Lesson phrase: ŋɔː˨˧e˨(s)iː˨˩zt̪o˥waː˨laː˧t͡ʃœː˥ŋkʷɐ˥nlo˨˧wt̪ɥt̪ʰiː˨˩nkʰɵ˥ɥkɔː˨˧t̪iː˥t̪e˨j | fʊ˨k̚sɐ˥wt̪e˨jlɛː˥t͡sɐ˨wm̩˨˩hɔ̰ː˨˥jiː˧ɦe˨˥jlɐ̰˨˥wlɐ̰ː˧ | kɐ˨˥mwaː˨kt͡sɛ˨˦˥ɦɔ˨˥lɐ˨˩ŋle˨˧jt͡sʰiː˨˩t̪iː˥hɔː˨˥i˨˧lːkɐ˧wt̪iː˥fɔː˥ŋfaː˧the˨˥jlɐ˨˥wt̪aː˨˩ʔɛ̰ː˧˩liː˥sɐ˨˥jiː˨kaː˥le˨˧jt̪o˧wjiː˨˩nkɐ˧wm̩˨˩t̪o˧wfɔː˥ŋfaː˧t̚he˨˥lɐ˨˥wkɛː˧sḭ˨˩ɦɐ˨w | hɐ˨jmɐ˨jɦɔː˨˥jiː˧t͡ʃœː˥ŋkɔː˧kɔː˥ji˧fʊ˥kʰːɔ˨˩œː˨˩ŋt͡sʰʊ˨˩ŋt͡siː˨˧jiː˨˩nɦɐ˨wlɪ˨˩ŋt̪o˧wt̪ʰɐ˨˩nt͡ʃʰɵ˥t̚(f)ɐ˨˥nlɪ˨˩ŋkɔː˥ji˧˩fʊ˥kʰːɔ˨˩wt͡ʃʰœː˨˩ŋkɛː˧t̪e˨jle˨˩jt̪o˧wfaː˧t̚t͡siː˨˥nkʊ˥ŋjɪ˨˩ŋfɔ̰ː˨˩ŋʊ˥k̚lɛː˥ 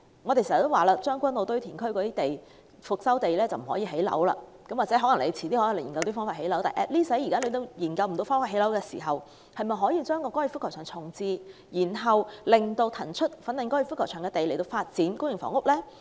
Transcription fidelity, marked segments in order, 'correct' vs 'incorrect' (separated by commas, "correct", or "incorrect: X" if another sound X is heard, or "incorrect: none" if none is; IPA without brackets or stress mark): correct, correct